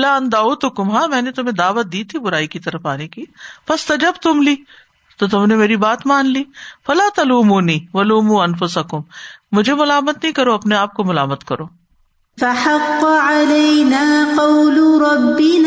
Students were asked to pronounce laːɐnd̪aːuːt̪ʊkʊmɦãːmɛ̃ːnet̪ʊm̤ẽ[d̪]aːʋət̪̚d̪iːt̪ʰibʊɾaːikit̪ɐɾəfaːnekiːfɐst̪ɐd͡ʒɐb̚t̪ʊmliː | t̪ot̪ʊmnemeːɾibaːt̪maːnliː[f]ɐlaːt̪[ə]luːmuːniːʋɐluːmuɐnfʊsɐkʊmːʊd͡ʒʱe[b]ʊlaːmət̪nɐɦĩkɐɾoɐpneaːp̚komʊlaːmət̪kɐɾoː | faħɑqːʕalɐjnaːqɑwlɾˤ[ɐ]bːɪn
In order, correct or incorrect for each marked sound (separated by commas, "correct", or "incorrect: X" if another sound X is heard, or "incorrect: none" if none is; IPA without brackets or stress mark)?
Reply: correct, correct, incorrect: ɐ, incorrect: m, incorrect: ɑ